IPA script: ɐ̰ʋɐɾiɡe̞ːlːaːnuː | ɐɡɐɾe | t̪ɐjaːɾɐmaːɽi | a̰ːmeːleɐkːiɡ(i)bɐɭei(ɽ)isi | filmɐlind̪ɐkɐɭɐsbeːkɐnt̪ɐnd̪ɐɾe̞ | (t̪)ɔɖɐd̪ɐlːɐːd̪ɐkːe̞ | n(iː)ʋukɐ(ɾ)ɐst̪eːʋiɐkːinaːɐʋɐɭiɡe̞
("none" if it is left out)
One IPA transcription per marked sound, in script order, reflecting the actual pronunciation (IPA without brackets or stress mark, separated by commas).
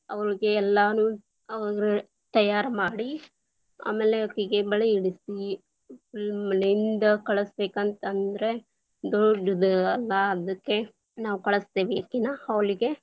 e, ɽ, d̪, aː, ɭ